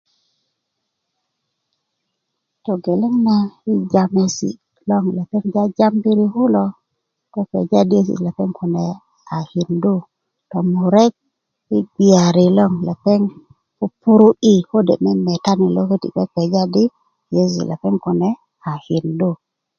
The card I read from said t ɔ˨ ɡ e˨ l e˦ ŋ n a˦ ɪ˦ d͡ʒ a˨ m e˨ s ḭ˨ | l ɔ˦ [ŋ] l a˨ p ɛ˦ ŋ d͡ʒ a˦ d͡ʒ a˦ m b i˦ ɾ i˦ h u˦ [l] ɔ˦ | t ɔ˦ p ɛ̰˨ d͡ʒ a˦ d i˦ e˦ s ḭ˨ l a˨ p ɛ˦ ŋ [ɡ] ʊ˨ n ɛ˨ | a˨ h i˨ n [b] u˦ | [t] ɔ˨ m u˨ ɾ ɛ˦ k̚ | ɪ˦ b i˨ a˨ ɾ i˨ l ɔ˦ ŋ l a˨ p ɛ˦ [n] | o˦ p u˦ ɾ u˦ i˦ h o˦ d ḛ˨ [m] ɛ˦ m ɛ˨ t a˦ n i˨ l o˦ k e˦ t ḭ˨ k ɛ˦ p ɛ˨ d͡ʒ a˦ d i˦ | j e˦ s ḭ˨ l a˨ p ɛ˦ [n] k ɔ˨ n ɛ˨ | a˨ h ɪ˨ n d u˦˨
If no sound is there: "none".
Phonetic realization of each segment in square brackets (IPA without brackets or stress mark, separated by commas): ŋ, l, k, d, t, ŋ, m, ŋ